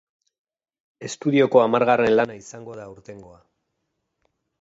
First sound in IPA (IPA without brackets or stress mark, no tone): e̞